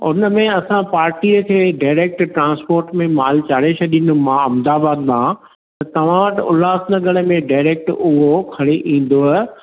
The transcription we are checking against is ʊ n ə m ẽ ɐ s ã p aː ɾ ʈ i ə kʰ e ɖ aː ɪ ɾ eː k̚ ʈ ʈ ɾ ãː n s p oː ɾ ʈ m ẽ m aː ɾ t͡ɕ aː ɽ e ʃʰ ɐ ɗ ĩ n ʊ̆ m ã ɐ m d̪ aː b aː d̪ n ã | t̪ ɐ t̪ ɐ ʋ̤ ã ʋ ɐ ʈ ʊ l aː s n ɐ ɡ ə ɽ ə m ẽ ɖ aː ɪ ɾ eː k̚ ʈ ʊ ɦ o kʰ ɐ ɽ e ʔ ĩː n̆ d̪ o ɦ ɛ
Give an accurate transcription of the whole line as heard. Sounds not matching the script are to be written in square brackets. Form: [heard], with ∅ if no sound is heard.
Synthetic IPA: ʊ n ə m ẽ ɐ s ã p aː ɾ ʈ i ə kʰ e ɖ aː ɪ ɾ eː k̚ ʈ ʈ ɾ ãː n s p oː ɾ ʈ m ẽ m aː [l] t͡ɕ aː ɽ e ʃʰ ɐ ɗ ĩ n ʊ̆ m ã ɐ m d̪ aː b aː d̪ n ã | t̪ ɐ t̪ ɐ ʋ̤ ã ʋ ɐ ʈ ʊ l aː s n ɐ ɡ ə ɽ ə m ẽ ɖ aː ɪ ɾ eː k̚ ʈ ʊ ɦ o kʰ ɐ ɽ e ʔ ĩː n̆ d̪ o ɦ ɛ